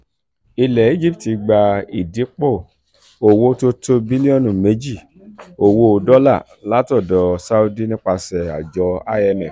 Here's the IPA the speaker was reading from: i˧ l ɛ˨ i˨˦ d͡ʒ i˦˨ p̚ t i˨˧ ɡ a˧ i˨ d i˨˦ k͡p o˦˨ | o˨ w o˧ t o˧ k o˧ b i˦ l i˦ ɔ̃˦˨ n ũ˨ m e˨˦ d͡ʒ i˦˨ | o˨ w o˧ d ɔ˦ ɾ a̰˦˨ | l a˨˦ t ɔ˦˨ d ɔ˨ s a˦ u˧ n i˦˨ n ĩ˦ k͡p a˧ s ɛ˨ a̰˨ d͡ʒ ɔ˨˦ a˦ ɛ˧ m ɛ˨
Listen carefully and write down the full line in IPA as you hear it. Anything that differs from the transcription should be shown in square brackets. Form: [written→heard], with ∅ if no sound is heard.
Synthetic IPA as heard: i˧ l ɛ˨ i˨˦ d͡ʒ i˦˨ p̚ t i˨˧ [ɡ→ɡ͡b] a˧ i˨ d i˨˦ k͡p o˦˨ | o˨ w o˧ t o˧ [k→t] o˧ b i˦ l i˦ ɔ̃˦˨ n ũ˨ m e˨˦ d͡ʒ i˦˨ | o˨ w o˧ d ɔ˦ [ɾ→l] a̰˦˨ | l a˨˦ t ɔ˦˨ d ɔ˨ s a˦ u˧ [n→d] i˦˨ n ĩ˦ k͡p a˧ s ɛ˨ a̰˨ d͡ʒ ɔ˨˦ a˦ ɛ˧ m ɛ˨